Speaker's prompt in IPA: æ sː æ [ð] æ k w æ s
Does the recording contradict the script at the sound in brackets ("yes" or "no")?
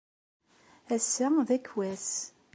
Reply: no